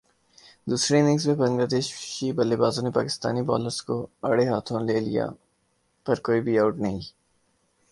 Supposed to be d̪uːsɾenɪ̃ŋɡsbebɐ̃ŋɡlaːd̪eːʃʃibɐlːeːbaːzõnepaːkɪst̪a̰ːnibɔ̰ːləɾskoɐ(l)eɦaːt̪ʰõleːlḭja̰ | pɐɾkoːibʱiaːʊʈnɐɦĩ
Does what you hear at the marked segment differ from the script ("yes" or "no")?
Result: yes